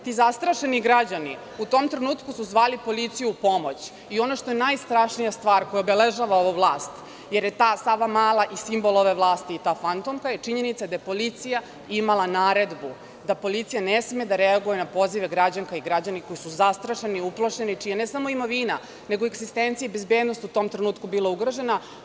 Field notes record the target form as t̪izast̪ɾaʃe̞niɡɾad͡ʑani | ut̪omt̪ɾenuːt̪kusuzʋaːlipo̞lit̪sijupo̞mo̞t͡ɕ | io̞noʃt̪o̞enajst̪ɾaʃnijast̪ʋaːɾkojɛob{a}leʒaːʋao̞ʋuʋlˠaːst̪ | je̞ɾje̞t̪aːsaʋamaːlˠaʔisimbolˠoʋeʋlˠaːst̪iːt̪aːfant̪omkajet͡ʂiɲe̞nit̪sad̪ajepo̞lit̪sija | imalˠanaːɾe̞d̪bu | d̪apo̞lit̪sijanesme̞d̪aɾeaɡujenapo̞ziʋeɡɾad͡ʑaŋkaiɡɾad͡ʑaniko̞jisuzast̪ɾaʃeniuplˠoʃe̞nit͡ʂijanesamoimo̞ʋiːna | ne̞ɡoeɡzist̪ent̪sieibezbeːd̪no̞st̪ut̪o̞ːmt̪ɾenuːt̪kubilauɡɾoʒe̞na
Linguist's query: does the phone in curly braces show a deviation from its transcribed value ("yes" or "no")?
yes